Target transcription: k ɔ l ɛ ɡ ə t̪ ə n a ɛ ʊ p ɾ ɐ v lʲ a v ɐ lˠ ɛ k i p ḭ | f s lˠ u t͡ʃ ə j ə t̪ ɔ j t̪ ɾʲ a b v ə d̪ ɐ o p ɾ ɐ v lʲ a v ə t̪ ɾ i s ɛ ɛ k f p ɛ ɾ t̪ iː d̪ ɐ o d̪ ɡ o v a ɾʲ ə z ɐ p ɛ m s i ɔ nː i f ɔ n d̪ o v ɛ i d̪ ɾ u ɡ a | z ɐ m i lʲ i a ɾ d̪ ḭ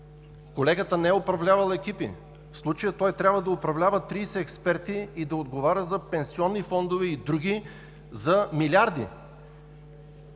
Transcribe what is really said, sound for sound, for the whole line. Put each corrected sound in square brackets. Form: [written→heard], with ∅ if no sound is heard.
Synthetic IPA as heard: k [ɔ→o] l ɛ ɡ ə t̪ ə n [a→ɛ] ɛ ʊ p ɾ ɐ v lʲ a v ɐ lˠ ɛ k i p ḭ | f s lˠ u t͡ʃ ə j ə t̪ ɔ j t̪ ɾʲ a b v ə d̪ ɐ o p ɾ ɐ v lʲ a v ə t̪ ɾ i s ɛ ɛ k [f→s] p ɛ ɾ t̪ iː d̪ ɐ o d̪ ɡ o v a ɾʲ ə z ɐ p ɛ [m→n] s i ɔ nː i f ɔ n d̪ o v ɛ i d̪ ɾ u ɡ [a→i] | z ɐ m i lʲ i a ɾ d̪ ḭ